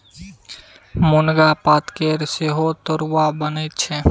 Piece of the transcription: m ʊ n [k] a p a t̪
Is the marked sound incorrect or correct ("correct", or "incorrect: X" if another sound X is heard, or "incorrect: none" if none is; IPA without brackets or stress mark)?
incorrect: ɡ